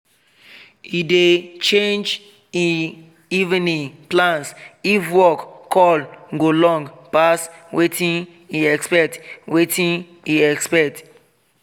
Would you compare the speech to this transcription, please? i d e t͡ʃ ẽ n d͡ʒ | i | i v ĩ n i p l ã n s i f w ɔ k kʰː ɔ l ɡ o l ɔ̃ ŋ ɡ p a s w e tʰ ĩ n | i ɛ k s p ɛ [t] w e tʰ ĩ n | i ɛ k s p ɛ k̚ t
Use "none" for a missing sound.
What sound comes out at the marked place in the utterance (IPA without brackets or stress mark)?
t